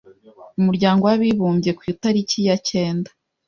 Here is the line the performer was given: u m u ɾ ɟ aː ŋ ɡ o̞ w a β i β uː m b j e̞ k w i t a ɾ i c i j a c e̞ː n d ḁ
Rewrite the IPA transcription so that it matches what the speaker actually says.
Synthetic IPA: u m u ɾ ɟ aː ŋ ɡ o̞ w a β i β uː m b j e̞ k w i t a ɾ i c i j a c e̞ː n d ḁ